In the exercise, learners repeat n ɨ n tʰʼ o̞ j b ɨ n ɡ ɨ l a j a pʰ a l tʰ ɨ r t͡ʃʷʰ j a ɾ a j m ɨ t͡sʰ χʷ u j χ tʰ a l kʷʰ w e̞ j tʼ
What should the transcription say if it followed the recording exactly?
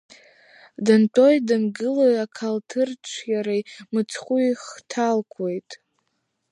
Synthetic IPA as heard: d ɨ n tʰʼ o̞ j d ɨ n ɡ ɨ l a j a kʰ a l tʰ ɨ r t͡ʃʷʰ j a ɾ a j m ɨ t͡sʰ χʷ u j χ tʰ a l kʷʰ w e̞ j tʼ